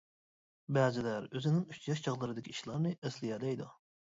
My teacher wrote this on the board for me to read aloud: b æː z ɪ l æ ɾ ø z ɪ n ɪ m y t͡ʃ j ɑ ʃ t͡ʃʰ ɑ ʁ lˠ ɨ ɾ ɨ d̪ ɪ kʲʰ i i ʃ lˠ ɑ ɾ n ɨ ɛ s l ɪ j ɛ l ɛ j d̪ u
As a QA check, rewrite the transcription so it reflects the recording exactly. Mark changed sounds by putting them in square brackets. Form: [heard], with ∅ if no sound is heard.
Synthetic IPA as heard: b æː z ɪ l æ ɾ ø z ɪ n ɪ [ŋ] y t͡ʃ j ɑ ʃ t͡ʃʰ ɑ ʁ lˠ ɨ ɾ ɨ d̪ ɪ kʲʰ i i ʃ lˠ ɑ ɾ n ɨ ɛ s l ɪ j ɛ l ɛ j d̪ u